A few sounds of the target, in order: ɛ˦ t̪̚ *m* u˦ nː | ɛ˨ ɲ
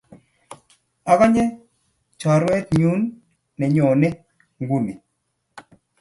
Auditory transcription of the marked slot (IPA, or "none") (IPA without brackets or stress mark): ɲ